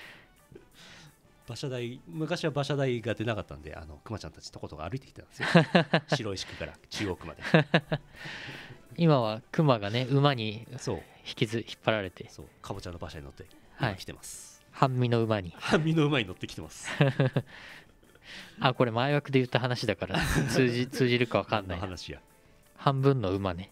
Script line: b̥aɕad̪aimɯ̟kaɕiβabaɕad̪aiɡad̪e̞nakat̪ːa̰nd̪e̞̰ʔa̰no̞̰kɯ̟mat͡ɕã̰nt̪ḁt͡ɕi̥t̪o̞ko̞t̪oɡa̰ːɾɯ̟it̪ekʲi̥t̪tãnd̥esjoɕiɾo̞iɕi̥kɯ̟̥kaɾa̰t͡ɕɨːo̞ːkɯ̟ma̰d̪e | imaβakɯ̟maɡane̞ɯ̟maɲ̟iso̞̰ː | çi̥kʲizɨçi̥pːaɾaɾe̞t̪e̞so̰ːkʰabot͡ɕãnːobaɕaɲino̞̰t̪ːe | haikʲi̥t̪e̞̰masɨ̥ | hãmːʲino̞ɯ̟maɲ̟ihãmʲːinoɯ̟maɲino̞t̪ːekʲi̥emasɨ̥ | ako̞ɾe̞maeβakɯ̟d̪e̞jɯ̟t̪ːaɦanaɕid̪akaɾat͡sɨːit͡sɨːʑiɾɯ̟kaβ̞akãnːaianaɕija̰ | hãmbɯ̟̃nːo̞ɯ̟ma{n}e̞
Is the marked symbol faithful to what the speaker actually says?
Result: yes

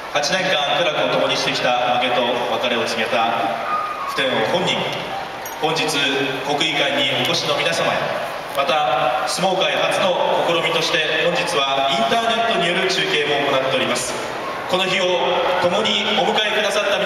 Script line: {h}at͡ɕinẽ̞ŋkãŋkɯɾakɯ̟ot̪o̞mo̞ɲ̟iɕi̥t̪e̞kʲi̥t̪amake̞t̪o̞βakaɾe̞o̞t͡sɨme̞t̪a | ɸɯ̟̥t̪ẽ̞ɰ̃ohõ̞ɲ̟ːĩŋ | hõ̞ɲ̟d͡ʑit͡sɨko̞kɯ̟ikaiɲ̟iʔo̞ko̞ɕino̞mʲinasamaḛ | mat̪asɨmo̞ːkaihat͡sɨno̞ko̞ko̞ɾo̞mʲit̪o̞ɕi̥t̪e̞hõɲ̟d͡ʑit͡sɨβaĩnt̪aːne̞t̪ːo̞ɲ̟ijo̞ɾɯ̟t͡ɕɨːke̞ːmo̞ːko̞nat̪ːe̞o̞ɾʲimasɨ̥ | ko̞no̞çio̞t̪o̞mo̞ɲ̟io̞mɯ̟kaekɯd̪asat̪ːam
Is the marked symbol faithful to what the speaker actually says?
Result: yes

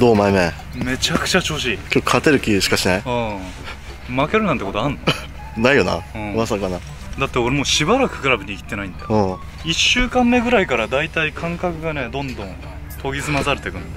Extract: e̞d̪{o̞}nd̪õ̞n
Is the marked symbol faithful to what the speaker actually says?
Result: no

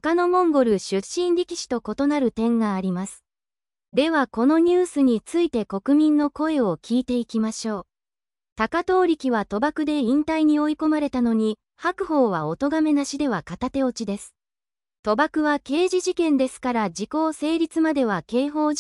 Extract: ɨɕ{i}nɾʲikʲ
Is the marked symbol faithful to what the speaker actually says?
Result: no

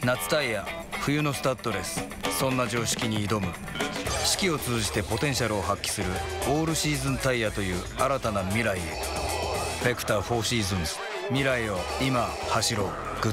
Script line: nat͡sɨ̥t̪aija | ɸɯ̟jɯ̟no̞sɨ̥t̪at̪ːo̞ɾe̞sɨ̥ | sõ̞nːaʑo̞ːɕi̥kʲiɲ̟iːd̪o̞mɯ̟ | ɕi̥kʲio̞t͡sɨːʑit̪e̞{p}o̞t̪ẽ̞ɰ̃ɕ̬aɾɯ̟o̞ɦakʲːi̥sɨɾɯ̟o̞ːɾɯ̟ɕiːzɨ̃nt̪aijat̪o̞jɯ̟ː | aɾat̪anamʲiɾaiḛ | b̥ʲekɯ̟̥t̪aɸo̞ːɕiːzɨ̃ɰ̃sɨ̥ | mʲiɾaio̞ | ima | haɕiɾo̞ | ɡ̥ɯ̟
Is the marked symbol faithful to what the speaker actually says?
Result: yes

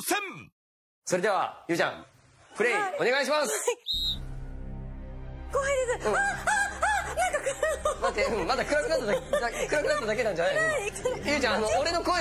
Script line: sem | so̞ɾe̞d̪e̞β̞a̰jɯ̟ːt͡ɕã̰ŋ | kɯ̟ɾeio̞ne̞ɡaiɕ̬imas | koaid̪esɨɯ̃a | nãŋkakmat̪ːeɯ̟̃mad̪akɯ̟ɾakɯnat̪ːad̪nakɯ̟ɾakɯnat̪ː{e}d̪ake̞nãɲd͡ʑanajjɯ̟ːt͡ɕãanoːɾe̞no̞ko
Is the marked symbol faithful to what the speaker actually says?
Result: no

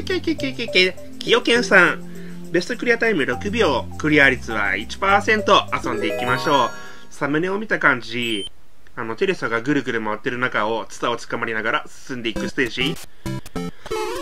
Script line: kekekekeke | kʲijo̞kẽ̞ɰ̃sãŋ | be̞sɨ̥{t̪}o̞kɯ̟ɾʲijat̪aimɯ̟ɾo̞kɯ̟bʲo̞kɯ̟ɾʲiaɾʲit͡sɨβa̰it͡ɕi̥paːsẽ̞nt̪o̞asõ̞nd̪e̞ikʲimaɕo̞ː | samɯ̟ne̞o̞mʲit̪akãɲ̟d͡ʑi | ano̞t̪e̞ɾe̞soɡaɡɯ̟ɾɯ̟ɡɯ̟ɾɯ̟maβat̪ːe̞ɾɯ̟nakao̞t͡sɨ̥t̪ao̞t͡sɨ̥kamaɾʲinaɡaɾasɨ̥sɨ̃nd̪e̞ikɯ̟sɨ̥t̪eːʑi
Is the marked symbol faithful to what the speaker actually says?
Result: yes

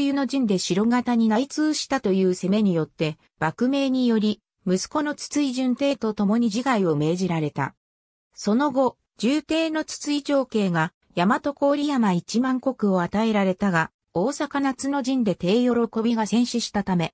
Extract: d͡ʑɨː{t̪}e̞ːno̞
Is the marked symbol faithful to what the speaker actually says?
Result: yes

